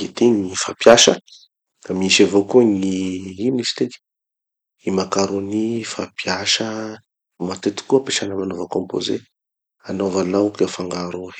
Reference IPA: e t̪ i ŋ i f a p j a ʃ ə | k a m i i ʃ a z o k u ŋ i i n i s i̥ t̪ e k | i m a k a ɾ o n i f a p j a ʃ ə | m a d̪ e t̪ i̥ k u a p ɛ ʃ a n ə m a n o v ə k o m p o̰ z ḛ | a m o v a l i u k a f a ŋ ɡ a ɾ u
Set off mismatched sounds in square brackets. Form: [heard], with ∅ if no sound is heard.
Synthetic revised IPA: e t̪ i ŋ i f a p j a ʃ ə | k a m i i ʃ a [v] o k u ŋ i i n i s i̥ t̪ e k | i m a k a ɾ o n i f a p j a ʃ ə | m a [t̪] e t̪ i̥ k u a p [e] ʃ a n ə m a n o v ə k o m p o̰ z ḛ | a [n] o v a l [a] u k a f a ŋ ɡ a ɾ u